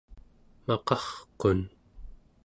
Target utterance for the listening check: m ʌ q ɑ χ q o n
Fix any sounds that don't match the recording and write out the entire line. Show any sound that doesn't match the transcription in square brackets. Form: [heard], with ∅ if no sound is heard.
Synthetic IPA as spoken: m [ɑ] q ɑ χ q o n